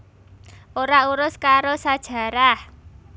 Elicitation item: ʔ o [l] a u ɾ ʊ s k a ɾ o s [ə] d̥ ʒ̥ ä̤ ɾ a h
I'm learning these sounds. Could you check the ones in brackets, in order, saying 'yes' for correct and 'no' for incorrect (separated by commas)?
no, no